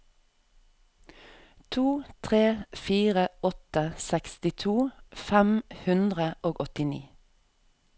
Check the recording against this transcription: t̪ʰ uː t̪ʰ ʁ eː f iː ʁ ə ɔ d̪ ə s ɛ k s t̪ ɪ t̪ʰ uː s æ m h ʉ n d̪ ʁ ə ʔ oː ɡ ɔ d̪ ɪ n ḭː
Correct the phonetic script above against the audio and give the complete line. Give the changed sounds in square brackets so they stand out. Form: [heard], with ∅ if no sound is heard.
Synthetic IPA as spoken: t̪ʰ uː t̪ʰ ʁ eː f iː ʁ ə ɔ [t̪] ə s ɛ k s t̪ ɪ t̪ʰ uː [f] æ m h ʉ n d̪ ʁ ə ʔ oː ɡ ɔ [t̪] ɪ n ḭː